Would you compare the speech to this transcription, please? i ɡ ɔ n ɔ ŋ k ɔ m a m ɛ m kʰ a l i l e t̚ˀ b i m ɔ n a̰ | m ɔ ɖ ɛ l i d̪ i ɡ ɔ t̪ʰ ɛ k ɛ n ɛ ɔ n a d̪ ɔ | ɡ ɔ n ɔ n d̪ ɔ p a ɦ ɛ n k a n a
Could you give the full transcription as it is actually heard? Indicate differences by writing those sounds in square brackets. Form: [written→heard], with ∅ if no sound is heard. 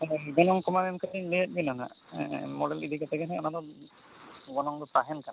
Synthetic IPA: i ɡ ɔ n ɔ ŋ k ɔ m a m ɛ m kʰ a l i l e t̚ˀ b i [m→n] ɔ n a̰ | m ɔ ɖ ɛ l i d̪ i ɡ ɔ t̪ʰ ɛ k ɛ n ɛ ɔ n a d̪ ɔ | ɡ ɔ n ɔ [n→ŋ] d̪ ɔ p a ɦ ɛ n k a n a